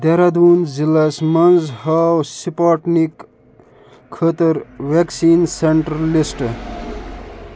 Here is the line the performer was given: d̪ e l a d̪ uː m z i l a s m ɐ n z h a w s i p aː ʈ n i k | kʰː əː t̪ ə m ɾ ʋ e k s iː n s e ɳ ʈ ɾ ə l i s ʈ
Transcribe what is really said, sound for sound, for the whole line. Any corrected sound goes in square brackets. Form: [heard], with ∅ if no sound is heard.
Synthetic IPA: d̪ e [ɾ] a d̪ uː [n] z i l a s m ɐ n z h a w s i p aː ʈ n i k | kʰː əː t̪ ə [∅] ɾ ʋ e k s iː n s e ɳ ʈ ɾ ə l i s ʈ

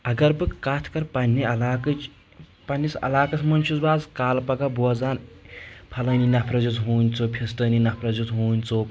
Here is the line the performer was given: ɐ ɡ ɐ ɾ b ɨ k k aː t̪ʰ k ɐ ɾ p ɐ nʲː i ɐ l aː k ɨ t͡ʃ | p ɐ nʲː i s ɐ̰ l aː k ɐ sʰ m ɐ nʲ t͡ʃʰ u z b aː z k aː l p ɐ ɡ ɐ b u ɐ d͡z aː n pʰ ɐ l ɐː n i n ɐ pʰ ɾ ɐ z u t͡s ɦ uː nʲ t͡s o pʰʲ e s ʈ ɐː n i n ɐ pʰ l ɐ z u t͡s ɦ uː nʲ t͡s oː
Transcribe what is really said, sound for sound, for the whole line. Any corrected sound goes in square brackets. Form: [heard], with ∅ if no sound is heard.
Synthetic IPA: ɐ ɡ ɐ ɾ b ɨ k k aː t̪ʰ k ɐ ɾ p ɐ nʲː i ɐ l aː k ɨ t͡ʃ | p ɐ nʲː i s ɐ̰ l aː k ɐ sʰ m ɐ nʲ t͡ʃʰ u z b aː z k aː l p ɐ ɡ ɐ b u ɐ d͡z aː n pʰ ɐ l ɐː n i n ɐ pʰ ɾ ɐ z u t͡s ɦ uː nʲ t͡s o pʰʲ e s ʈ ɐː n i n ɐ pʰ [ɾ] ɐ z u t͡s ɦ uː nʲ t͡s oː

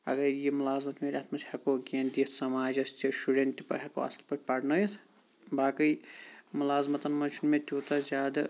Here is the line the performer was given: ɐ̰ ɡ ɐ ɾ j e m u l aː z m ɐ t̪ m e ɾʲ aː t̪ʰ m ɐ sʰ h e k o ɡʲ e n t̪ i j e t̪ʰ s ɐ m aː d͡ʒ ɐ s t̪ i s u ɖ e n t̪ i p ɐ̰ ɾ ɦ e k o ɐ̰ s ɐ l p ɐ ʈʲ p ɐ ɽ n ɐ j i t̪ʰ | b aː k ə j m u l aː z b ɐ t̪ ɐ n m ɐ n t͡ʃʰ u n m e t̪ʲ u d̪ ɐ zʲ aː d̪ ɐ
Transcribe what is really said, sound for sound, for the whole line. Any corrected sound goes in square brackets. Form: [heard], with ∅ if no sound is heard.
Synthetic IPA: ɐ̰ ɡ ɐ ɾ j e m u l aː z m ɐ t̪ m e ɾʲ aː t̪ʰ m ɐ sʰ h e k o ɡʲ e n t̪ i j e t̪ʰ s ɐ m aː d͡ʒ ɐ s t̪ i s u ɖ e n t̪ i p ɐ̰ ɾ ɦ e k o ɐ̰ s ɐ l p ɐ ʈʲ p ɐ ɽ n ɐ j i t̪ʰ | b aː k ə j m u l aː z [m] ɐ t̪ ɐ n m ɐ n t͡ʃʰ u n m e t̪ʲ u [t̪] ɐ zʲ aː d̪ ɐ

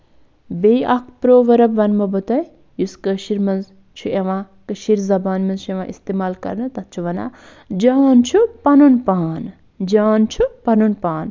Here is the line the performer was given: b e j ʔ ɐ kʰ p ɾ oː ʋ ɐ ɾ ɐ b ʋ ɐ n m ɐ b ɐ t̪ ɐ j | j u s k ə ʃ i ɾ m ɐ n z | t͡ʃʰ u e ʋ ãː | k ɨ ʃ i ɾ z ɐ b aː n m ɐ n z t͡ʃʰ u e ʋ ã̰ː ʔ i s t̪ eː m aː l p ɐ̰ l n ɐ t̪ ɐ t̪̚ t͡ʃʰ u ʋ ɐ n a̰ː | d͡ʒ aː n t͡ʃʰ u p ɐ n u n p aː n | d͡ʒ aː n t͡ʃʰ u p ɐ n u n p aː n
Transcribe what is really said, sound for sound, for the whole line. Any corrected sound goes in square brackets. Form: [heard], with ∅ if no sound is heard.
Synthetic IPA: b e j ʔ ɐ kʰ p ɾ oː ʋ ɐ ɾ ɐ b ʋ ɐ n m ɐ b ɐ t̪ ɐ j | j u s k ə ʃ i ɾ m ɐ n z | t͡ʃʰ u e ʋ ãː | k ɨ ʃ i ɾ z ɐ b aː n m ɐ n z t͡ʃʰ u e ʋ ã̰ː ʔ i s t̪ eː m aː l [k] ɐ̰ [ɾ] n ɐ t̪ ɐ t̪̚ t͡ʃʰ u ʋ ɐ n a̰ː | d͡ʒ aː n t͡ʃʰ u p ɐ n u n p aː n | d͡ʒ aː n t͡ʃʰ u p ɐ n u n p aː n

